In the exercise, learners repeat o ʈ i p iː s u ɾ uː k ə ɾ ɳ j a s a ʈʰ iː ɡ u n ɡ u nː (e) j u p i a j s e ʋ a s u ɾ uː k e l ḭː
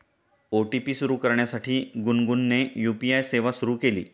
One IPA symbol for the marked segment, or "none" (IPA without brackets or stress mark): e